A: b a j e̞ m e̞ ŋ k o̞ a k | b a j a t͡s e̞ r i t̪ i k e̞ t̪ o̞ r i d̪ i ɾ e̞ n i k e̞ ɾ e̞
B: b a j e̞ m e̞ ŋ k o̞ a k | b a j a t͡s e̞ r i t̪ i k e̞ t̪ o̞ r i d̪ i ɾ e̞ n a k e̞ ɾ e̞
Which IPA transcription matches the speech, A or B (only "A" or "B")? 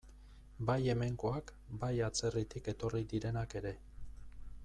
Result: B